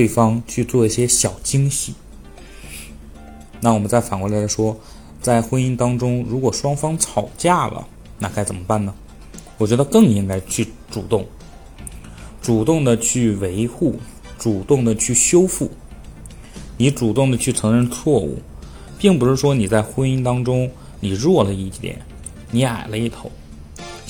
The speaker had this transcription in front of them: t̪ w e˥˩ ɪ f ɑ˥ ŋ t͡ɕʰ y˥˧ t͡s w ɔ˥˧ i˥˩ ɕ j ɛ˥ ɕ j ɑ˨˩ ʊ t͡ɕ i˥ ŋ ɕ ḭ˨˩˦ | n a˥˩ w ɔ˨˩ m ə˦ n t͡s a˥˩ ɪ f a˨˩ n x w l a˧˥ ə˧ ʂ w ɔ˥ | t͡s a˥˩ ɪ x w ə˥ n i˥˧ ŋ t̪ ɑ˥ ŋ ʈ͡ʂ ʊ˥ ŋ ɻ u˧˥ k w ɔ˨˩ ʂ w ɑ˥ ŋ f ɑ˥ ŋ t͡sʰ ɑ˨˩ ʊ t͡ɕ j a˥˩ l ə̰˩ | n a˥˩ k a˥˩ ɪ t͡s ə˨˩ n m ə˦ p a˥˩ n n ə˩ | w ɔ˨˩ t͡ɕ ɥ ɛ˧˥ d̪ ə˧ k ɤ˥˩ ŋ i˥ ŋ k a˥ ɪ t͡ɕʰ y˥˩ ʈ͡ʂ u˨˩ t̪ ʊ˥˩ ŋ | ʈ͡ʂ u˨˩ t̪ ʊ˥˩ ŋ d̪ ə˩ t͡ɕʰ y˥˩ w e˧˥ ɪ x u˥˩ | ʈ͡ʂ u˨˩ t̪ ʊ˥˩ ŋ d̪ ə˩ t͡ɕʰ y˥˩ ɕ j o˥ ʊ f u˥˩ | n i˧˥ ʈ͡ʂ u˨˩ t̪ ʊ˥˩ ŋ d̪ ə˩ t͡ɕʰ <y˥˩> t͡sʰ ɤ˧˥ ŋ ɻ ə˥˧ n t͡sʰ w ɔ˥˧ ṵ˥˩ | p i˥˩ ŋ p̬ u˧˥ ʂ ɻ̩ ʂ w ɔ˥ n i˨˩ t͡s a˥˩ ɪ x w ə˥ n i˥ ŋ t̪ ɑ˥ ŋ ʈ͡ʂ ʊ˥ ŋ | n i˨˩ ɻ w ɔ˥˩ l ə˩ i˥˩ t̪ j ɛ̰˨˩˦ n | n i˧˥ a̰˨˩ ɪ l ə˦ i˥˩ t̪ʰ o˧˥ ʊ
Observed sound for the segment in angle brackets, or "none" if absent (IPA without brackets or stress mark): y˥˩